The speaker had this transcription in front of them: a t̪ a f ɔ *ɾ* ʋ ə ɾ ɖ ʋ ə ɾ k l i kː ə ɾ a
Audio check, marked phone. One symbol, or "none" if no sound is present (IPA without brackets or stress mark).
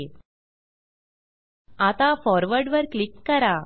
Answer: ɾ